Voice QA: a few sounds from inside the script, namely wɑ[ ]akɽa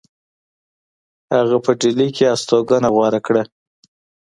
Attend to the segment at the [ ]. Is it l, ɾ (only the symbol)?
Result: ɾ